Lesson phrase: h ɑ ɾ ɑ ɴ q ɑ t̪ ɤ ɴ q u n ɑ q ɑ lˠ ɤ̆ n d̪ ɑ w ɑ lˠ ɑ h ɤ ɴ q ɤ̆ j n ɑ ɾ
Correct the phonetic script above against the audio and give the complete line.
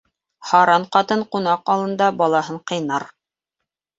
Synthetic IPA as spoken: h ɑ ɾ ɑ ɴ q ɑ t̪ ɤ ɴ q u n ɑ q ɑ lˠ ɤ̆ n d̪ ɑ b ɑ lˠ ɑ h ɤ ɴ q ɤ̆ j n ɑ ɾ